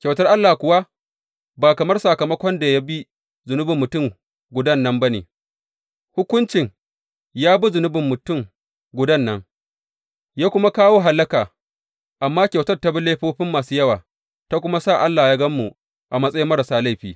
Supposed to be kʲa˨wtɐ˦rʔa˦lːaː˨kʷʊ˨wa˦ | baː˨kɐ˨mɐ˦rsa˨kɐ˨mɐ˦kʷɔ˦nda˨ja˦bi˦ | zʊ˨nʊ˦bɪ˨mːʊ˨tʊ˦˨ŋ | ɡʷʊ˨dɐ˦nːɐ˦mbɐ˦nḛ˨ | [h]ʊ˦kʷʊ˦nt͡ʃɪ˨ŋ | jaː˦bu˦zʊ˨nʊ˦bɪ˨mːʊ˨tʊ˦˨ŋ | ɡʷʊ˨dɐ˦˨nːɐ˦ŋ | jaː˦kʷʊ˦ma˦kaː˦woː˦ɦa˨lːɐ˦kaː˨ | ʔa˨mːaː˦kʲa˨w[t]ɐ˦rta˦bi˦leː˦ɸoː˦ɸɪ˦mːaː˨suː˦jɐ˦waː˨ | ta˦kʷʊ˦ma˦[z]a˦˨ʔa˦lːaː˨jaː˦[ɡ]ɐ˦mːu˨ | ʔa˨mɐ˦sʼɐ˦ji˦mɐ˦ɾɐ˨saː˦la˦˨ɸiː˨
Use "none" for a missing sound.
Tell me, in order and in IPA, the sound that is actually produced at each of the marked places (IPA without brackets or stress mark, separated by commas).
h, t, s, ɡ